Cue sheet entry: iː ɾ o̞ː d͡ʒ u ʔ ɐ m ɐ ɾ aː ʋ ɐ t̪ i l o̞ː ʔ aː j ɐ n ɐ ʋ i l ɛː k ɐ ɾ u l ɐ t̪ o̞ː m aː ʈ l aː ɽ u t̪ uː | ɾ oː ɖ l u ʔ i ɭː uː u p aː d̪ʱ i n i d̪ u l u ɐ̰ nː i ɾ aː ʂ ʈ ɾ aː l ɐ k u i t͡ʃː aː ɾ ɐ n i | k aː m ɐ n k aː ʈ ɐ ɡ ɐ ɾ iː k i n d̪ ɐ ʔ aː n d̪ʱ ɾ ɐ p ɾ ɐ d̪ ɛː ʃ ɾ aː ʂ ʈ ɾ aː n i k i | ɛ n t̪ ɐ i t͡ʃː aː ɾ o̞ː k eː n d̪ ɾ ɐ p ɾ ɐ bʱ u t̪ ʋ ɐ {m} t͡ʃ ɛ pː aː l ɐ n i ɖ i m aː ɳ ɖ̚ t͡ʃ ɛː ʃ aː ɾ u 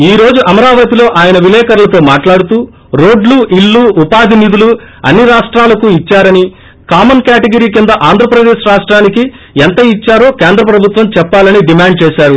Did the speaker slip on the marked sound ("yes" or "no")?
no